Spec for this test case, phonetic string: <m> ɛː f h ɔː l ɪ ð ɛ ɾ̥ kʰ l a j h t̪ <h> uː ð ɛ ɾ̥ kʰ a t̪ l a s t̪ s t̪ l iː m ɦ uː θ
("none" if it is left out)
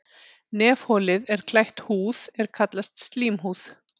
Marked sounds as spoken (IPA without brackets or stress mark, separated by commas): n, h